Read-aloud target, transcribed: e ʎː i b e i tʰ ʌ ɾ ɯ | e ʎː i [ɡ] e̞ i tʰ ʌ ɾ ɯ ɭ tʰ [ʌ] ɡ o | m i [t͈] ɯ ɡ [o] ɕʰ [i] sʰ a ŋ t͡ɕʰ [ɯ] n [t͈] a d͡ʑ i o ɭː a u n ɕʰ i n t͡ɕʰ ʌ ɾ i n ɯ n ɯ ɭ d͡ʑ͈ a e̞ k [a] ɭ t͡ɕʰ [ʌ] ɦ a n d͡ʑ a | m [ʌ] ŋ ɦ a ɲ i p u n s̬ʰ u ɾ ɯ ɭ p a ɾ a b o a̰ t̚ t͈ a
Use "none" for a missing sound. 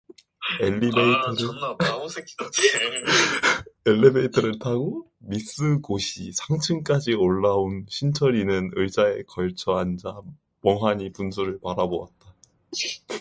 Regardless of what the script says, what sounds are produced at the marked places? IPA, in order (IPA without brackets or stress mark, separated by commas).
b, a, s͈, o, i, ɯ, k͈, ʌ, ʌ, ʌ